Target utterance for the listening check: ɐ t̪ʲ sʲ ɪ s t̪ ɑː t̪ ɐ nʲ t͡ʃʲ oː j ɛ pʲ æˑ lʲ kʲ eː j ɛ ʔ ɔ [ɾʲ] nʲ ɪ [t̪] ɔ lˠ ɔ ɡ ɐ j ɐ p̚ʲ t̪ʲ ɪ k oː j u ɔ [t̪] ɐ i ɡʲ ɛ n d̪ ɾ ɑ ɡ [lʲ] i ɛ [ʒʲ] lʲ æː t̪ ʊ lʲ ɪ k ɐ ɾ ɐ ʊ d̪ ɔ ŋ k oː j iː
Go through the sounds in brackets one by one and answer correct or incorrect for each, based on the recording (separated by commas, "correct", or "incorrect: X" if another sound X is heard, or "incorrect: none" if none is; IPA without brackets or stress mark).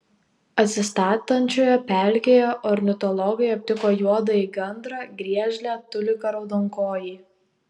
correct, correct, incorrect: d̪, incorrect: ɾʲ, correct